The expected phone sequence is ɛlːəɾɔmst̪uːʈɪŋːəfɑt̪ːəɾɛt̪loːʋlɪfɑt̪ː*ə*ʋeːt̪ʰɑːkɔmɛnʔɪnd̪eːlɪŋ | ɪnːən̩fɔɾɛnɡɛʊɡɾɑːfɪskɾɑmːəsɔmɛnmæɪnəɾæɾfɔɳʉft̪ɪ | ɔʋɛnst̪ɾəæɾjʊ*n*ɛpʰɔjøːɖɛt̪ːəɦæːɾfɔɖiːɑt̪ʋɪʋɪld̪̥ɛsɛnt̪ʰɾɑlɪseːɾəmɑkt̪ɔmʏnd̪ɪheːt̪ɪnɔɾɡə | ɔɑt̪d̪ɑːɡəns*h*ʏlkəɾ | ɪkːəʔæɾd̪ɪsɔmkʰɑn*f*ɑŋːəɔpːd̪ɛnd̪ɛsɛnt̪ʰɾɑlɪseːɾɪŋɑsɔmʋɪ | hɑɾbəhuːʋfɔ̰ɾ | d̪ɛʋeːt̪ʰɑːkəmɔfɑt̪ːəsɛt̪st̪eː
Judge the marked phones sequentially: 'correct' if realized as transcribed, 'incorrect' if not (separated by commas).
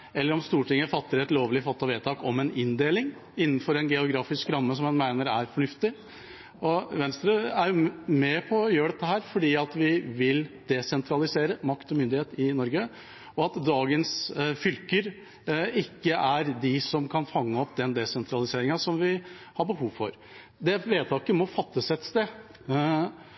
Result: incorrect, incorrect, incorrect, correct